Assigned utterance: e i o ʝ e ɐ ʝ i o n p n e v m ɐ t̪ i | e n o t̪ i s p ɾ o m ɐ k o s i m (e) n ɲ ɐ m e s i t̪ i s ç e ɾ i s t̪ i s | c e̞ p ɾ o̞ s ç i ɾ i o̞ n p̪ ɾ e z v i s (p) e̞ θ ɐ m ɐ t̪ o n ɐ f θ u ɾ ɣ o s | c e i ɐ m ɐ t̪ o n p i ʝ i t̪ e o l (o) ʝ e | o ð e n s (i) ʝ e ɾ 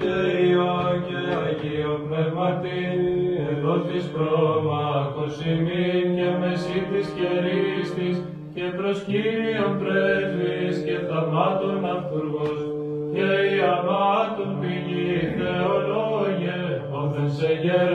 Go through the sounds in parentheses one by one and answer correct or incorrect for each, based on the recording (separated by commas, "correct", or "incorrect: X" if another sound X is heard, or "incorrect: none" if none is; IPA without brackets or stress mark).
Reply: incorrect: i, incorrect: c, correct, incorrect: e